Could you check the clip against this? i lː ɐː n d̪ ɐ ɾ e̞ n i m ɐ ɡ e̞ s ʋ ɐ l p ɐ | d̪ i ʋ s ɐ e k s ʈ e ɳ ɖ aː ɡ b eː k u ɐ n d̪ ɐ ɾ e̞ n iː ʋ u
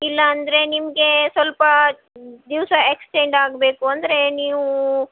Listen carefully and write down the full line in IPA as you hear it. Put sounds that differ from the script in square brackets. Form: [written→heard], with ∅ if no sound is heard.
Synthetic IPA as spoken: i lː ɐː n d̪ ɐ ɾ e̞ n i m ɐ ɡ e̞ s ʋ ɐ l p ɐ | d̪ i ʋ s ɐ e k s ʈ e ɳ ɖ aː ɡ b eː k u ɐ n d̪ ɐ ɾ e̞ n iː ʋ u